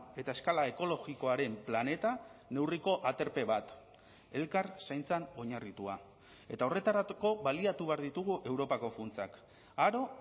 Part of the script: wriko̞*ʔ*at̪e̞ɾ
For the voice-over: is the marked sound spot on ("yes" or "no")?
yes